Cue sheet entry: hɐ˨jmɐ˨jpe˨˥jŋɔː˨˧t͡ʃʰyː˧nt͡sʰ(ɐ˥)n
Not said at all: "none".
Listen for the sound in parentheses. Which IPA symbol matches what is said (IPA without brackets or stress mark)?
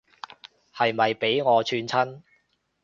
ɐ˥